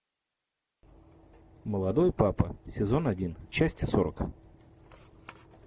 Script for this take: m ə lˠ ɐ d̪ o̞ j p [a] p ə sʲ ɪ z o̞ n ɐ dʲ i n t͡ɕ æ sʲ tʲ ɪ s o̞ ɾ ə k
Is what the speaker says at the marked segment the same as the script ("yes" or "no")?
yes